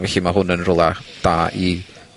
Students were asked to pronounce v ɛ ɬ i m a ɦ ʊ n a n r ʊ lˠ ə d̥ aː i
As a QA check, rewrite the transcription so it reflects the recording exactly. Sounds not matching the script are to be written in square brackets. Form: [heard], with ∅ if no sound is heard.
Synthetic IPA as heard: v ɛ ɬ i m a ɦ ʊ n [ə] n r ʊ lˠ [a] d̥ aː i